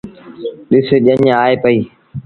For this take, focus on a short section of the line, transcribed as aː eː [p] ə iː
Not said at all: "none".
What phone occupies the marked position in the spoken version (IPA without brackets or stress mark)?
p